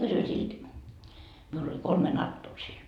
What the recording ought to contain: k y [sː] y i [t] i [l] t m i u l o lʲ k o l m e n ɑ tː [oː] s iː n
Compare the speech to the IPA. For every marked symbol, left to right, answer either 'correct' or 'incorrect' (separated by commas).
incorrect, incorrect, correct, correct